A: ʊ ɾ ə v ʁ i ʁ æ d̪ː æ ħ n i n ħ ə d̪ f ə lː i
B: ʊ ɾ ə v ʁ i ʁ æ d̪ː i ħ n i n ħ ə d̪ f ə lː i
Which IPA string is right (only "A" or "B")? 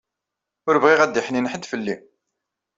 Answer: B